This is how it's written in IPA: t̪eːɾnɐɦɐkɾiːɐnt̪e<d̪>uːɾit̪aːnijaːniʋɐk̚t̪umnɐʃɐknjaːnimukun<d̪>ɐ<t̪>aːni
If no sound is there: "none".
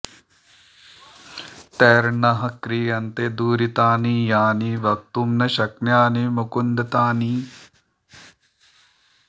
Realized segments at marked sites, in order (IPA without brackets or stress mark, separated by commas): d̪, d̪, t̪